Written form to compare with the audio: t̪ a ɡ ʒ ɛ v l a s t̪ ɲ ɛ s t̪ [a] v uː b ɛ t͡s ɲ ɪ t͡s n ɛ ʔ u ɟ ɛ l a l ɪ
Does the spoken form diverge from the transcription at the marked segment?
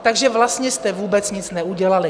yes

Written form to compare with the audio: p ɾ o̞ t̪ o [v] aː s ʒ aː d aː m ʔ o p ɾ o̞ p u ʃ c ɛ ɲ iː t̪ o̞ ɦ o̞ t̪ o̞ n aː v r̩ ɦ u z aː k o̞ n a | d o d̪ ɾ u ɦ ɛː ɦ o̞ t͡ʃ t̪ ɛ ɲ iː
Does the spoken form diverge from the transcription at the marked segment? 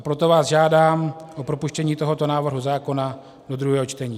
no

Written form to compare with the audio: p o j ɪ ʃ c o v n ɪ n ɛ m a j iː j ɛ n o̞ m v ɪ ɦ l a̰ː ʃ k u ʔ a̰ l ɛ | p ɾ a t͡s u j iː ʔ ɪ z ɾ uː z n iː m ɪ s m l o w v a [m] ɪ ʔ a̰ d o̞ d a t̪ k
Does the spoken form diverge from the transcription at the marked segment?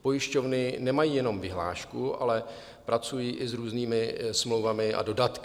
no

